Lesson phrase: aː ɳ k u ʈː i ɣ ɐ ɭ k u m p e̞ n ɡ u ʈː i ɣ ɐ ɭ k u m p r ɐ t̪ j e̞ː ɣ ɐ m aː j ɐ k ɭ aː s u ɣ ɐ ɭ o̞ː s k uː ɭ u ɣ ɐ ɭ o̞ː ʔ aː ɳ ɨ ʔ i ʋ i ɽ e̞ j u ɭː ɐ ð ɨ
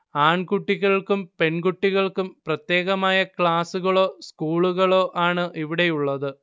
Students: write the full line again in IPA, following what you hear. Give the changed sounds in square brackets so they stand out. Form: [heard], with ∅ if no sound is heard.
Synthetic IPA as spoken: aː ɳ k u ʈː i ɣ ɐ ɭ k u m p e̞ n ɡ u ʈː i ɣ ɐ ɭ k u m p r ɐ t̪ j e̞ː ɣ ɐ m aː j ɐ k ɭ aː s u ɣ ɐ ɭ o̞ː s k uː ɭ u ɣ ɐ ɭ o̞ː ʔ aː ɳ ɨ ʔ i ʋ i ɽ e̞ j u ɭː ɐ ð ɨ